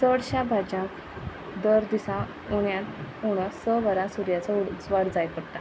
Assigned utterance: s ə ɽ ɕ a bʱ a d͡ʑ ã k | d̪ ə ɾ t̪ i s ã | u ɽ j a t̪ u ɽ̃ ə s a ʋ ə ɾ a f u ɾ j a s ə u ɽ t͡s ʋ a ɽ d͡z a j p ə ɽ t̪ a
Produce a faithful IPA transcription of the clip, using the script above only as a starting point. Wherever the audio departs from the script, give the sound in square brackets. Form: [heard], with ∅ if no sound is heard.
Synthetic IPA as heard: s ə ɽ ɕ a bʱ a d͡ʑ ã k | d̪ ə ɾ [d̪] i s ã | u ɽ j a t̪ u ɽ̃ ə s [ə] ʋ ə ɾ a [s] u ɾ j a [t͡s] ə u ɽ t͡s ʋ a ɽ d͡z a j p ə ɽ t̪ a